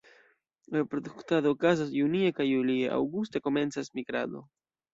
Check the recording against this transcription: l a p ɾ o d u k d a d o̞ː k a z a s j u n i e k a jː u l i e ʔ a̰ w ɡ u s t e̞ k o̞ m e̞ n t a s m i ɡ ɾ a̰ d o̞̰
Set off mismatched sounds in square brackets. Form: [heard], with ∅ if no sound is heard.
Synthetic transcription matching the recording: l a p ɾ o d u k [t] a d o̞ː k a z a s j u n i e k a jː u l i e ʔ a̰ w ɡ u s t e̞ k o̞ m e̞ n [t͡s] a s m i ɡ ɾ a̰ d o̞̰